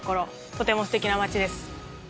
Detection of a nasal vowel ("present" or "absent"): absent